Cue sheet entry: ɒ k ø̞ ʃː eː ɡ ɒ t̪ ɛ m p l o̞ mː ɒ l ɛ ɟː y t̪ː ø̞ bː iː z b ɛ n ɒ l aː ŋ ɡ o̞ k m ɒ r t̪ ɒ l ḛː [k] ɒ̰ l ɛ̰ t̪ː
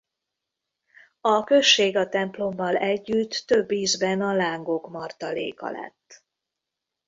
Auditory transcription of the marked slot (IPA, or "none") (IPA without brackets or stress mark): k